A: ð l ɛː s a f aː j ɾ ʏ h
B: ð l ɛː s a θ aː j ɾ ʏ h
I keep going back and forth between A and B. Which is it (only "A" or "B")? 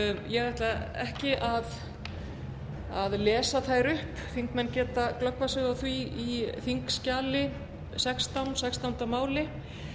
B